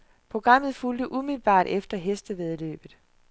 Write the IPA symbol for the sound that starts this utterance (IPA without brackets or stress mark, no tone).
pʰ